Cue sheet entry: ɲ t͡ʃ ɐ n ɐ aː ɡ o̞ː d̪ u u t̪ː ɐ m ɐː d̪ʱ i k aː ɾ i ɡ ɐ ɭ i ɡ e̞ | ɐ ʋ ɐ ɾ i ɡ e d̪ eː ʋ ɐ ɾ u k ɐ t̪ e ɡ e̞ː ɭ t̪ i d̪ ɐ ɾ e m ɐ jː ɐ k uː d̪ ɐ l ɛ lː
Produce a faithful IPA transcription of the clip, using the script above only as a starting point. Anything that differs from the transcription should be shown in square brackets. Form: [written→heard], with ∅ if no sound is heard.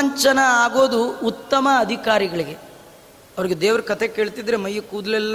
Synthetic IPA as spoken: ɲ t͡ʃ ɐ n ɐ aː ɡ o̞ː d̪ u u t̪ː ɐ m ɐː d̪ʱ i k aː ɾ i ɡ ɐ ɭ i ɡ e̞ | ɐ ʋ ɐ ɾ i ɡ e d̪ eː ʋ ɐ ɾ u k ɐ t̪ e [ɡ→k] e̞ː ɭ t̪ i d̪ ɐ ɾ e m ɐ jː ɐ k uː d̪ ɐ l ɛ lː